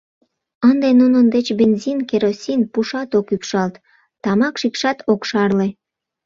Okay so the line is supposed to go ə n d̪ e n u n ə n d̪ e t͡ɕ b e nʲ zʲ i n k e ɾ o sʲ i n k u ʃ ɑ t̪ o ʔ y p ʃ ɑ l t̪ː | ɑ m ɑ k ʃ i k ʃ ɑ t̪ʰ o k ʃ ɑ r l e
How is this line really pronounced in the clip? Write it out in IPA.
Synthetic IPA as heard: ə n d̪ e n u n ə n d̪ e t͡ɕ b e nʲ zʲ i n k e ɾ o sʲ i n p u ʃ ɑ t̪ o k y p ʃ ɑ l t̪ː | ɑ m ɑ k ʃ i k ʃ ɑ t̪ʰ o k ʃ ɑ r l e